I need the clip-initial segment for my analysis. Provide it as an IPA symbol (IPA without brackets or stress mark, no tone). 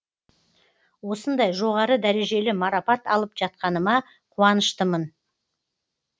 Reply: w